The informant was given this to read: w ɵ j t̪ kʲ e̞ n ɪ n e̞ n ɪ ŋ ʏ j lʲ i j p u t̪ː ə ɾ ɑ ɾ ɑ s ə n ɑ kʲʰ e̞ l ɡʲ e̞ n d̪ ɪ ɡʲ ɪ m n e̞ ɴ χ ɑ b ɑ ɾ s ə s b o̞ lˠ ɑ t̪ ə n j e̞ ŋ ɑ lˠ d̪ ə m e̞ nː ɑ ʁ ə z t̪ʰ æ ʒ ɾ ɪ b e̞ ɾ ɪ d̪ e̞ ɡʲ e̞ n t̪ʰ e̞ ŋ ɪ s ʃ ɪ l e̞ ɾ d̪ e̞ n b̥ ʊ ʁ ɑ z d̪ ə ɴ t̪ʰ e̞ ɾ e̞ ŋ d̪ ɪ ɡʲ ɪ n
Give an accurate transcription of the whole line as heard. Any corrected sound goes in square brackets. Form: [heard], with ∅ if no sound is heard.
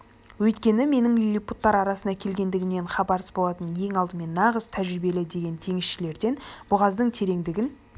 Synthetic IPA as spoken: w ɵ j t̪ kʲ e̞ n ɪ [m] e̞ n ɪ ŋ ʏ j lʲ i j p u t̪ː [ɑ] ɾ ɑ ɾ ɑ s ə n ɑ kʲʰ e̞ l ɡʲ e̞ n d̪ ɪ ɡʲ ɪ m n e̞ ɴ χ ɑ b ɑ ɾ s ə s b o̞ lˠ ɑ t̪ ə n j e̞ ŋ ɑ lˠ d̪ ə m e̞ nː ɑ ʁ ə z t̪ʰ æ ʒ ɾ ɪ b e̞ [l] ɪ d̪ e̞ ɡʲ e̞ n t̪ʰ e̞ ŋ ɪ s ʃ ɪ l e̞ ɾ d̪ e̞ n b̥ ʊ ʁ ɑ z d̪ ə ɴ t̪ʰ e̞ ɾ e̞ ŋ d̪ ɪ ɡʲ ɪ n